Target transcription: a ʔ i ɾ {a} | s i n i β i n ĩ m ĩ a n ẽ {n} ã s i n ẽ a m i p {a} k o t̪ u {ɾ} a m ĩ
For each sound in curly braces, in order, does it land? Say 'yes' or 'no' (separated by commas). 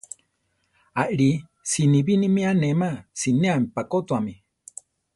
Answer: no, no, yes, no